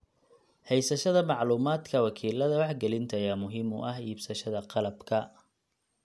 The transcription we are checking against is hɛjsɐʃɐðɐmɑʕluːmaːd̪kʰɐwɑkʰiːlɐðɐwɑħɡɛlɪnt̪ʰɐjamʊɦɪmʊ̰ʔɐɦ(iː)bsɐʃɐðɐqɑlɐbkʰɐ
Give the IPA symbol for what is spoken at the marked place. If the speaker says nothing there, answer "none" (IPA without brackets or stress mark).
iː